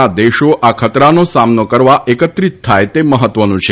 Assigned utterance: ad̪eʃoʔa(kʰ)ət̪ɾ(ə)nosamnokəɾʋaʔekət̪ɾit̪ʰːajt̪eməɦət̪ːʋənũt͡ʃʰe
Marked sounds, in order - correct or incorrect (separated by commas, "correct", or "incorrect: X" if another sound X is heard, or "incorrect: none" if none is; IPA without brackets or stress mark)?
correct, incorrect: a